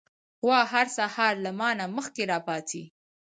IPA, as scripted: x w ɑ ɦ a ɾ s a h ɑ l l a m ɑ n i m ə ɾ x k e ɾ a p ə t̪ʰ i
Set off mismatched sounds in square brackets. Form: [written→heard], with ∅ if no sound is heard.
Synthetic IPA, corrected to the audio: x w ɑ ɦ a ɾ s a h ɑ [l→ɾ] l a m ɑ n [i→a] m ə [ɾ→∅] x k e ɾ [a→ɑ] p [ə→ɑ] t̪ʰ i